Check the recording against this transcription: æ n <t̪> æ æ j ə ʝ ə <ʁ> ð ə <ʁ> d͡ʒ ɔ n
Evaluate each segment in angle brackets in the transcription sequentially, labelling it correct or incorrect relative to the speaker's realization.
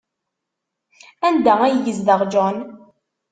incorrect: d̪, incorrect: z, correct

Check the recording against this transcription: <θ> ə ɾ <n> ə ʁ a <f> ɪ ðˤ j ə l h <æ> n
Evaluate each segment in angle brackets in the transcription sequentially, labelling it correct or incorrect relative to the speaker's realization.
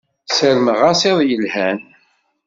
incorrect: s, incorrect: m, incorrect: s, correct

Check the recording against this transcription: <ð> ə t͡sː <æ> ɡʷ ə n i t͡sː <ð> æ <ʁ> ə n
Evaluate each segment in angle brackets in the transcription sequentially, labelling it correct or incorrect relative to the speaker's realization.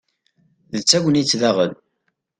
correct, correct, correct, correct

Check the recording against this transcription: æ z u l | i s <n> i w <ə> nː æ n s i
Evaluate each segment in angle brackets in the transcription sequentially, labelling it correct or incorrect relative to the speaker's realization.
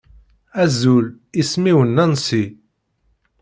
incorrect: m, correct

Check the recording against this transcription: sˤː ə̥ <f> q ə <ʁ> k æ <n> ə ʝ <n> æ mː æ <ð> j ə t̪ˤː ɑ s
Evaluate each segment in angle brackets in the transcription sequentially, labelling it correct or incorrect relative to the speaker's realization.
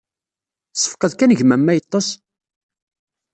correct, incorrect: ð, correct, incorrect: m, incorrect: none

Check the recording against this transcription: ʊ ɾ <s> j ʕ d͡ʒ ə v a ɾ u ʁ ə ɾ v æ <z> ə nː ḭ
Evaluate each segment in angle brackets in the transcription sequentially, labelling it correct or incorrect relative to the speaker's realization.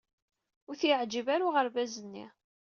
incorrect: θ, correct

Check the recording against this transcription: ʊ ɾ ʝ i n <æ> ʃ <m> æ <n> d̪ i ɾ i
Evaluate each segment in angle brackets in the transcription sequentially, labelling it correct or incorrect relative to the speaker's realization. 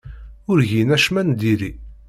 correct, correct, correct

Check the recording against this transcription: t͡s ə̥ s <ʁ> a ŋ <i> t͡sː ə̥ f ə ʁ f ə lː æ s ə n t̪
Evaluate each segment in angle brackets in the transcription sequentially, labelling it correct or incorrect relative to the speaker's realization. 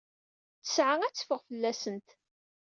incorrect: ʕ, incorrect: æ

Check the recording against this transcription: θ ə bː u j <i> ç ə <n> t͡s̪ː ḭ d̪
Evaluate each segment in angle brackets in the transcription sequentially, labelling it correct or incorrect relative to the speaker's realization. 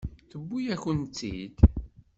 incorrect: æ, correct

